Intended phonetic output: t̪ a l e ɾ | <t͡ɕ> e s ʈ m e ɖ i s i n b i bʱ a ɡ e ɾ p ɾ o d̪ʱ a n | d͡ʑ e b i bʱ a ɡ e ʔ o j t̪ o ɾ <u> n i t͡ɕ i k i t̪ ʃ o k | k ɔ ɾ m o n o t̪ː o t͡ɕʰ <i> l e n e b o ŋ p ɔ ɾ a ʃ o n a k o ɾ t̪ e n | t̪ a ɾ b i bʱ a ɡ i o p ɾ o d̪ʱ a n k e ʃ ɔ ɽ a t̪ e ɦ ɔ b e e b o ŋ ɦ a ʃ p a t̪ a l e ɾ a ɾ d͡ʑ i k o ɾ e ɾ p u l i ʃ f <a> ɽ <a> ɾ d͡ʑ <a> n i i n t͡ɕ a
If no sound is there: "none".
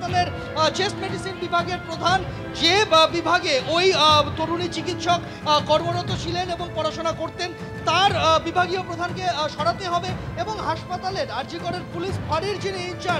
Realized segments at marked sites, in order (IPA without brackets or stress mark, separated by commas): t͡ɕ, u, i, a, i, i